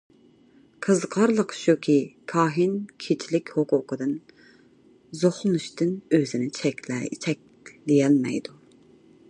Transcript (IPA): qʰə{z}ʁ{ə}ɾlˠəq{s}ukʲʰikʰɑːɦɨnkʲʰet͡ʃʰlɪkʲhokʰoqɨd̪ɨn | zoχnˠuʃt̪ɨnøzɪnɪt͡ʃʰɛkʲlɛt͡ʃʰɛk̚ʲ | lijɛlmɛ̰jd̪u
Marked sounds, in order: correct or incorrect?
correct, incorrect: ɑ, incorrect: ʃ

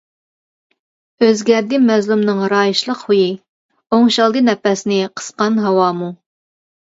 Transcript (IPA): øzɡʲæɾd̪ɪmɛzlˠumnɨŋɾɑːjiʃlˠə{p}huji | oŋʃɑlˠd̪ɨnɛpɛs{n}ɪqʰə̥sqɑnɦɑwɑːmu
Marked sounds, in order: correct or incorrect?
incorrect: q, correct

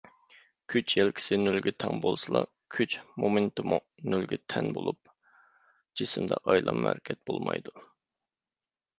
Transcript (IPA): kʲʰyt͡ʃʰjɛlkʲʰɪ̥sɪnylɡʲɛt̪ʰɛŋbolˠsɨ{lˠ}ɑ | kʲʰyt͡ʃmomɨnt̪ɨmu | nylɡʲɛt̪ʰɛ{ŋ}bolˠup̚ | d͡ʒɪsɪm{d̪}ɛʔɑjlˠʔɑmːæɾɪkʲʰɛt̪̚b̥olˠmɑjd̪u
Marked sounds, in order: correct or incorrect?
correct, incorrect: n, correct

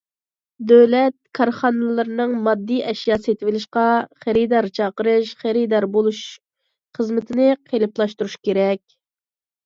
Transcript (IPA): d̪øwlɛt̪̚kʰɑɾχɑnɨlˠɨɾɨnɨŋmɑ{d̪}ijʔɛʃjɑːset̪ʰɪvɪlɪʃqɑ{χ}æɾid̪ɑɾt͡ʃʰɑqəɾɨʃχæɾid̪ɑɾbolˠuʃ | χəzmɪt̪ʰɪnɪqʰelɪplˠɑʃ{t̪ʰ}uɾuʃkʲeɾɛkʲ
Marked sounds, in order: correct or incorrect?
incorrect: d̪ː, correct, incorrect: t̪

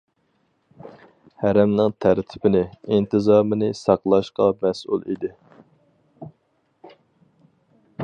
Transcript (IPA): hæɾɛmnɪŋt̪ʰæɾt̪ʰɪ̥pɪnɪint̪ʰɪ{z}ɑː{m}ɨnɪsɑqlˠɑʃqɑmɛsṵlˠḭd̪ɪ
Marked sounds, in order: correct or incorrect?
correct, correct

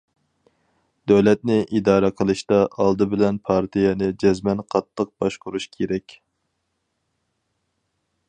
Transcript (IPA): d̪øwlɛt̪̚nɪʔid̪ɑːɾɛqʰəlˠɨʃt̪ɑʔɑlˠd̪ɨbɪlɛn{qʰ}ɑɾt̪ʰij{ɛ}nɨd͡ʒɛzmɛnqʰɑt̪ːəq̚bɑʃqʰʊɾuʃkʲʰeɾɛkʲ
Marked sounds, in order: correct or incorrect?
incorrect: pʰ, correct

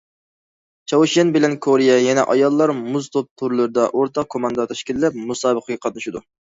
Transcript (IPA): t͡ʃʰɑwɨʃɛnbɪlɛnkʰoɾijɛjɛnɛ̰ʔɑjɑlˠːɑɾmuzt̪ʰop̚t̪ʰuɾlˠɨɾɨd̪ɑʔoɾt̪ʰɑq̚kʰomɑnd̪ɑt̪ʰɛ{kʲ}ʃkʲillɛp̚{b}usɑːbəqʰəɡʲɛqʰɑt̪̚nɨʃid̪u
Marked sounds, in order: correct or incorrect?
incorrect: none, incorrect: m

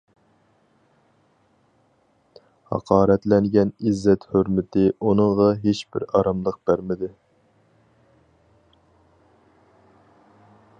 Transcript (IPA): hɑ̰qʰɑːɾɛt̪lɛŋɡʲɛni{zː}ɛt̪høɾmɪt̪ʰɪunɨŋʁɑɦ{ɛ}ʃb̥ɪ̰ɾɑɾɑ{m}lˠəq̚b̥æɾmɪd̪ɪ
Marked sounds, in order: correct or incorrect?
correct, incorrect: e, correct

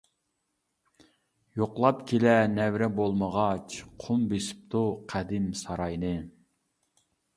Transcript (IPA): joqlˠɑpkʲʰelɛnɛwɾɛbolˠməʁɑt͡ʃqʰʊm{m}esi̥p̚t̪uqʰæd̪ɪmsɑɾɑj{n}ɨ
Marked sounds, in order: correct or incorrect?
incorrect: b, correct

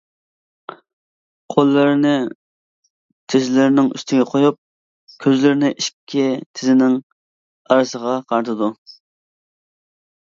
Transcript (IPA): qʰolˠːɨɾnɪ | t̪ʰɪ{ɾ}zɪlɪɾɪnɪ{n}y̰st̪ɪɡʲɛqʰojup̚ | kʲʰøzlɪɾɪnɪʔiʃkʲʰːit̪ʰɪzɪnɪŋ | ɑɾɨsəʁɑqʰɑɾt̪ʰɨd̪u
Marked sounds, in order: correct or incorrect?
incorrect: none, incorrect: ŋ

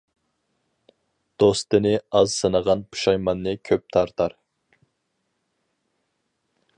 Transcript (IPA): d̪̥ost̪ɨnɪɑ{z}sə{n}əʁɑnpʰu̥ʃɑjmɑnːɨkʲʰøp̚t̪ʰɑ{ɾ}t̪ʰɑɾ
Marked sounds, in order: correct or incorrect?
correct, correct, correct

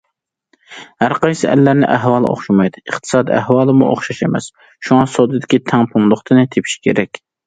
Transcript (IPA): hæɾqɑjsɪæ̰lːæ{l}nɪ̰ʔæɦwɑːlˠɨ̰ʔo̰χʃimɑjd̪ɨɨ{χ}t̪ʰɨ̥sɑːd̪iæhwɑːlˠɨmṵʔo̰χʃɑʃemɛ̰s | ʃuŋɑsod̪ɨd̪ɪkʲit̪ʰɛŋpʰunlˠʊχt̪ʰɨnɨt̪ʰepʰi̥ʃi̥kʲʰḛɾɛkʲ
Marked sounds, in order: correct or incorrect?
incorrect: ɾ, correct

